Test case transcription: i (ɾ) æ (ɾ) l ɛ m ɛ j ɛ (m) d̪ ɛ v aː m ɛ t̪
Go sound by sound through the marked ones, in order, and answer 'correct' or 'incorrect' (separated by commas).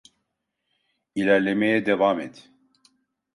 incorrect, correct, incorrect